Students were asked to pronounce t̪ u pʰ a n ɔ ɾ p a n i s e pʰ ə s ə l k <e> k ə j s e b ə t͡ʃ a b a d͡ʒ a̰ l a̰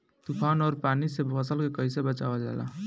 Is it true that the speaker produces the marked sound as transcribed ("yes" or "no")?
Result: yes